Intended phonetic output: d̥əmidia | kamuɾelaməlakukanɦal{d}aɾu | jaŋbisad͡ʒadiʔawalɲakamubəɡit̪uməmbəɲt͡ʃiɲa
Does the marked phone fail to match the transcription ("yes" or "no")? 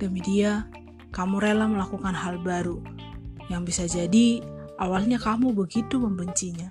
yes